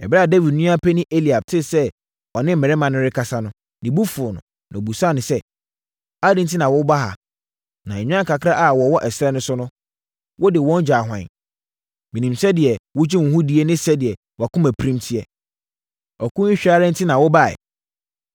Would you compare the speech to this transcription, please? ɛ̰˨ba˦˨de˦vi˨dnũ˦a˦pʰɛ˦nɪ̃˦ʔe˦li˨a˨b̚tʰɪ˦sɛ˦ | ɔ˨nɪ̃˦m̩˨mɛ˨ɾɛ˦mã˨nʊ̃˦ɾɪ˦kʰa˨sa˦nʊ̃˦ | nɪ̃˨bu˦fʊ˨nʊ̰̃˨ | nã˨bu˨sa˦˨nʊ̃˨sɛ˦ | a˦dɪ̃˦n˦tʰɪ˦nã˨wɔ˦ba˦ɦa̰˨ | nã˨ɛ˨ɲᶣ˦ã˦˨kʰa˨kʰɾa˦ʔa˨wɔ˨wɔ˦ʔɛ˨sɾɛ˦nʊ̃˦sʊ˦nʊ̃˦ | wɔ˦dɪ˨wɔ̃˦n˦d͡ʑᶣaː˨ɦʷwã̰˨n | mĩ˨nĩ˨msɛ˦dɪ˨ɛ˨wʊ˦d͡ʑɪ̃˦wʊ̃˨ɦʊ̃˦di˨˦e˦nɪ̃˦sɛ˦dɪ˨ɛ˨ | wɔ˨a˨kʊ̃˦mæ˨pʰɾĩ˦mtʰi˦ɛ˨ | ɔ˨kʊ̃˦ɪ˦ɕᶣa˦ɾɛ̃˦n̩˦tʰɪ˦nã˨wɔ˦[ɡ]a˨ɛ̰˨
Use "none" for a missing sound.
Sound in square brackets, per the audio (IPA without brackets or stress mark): b